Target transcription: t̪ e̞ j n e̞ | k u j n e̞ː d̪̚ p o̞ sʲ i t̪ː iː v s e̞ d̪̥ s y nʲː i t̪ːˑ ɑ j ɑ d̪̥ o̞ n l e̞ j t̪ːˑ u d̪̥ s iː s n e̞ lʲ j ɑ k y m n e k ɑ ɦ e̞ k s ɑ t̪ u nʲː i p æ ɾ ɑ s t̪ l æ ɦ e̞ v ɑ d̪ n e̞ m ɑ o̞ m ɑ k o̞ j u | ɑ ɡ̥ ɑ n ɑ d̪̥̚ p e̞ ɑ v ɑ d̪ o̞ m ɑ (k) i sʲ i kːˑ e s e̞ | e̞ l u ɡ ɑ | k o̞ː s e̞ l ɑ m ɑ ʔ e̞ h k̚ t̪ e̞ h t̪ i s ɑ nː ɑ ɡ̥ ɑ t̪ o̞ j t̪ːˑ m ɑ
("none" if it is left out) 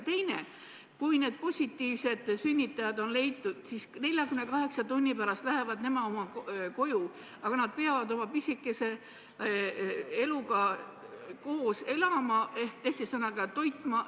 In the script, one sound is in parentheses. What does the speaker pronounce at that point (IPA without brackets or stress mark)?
p